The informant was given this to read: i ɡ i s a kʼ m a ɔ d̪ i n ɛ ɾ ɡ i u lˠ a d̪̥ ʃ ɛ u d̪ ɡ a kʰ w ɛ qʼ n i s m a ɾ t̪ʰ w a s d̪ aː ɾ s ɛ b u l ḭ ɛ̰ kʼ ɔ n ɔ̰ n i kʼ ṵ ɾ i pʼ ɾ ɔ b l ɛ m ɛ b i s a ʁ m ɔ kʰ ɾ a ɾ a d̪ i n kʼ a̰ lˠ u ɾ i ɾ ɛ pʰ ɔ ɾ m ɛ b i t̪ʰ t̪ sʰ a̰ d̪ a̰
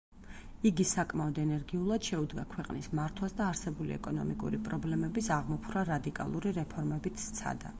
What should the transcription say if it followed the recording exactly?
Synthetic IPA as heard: i ɡ i s a kʼ m a ɔ d̪ ɛ n ɛ ɾ ɡ i u lˠ a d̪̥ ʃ ɛ u d̪ ɡ a kʰ w ɛ qʼ n i s m a ɾ t̪ʰ w a s d̪ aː ɾ s ɛ b u l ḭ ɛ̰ kʼ ɔ n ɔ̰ m i kʼ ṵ ɾ i pʼ ɾ ɔ b l ɛ m ɛ b i s a ʁ m ɔ pʰ ɾ a ɾ a d̪ i kʼ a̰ lˠ u ɾ i ɾ ɛ pʰ ɔ ɾ m ɛ b i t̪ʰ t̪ sʰ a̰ d̪ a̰